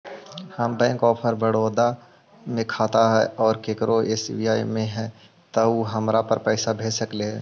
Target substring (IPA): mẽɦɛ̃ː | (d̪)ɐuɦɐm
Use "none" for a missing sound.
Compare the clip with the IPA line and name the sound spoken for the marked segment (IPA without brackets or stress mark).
t̪